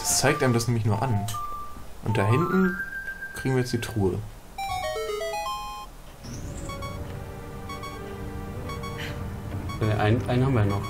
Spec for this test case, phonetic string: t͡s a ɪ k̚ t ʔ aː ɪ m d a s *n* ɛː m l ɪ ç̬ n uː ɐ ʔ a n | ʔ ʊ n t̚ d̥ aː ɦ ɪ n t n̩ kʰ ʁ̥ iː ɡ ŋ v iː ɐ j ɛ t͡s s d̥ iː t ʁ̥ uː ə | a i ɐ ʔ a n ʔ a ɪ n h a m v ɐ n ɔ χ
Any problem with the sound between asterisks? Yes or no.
no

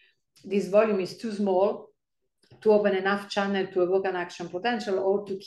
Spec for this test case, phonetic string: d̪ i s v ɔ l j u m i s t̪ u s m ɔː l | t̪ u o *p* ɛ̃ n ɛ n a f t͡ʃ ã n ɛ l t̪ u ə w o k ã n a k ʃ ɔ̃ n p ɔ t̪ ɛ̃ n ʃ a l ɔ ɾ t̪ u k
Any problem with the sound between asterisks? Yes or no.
no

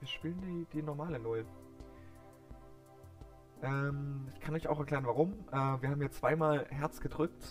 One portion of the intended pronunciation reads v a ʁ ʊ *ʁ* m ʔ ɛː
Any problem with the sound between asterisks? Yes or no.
yes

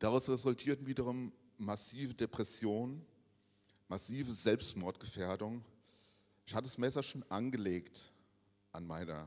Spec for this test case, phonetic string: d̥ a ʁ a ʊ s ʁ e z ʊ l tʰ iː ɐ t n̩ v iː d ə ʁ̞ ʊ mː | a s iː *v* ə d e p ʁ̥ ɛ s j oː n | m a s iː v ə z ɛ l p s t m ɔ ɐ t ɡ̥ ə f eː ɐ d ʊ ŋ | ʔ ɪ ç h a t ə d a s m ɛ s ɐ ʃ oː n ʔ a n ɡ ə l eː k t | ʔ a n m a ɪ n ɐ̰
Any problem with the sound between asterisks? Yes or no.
no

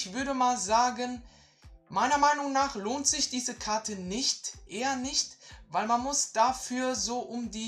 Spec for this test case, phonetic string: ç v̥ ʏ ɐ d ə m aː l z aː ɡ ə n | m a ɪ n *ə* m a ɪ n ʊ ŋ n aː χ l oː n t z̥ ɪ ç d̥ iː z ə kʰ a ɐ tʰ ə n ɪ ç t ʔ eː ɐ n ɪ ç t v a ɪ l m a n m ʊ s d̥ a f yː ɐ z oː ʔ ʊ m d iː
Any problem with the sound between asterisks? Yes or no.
yes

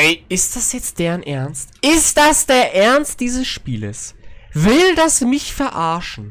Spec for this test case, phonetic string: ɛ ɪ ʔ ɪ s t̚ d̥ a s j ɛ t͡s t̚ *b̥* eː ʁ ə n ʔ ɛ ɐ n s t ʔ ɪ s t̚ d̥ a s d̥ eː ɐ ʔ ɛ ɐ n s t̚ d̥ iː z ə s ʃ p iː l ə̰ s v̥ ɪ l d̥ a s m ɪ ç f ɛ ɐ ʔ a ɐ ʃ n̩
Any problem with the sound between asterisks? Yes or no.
yes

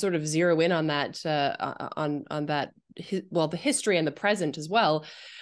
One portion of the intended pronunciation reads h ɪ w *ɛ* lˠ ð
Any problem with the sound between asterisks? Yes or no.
no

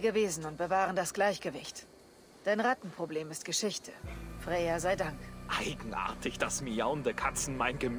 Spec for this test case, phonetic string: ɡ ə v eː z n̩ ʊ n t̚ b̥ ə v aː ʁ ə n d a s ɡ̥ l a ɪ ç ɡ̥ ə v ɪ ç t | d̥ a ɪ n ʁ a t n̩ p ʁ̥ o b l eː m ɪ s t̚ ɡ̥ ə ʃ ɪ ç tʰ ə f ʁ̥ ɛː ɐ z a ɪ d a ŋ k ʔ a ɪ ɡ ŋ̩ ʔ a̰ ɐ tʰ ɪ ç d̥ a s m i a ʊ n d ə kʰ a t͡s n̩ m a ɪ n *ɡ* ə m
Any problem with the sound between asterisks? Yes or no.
no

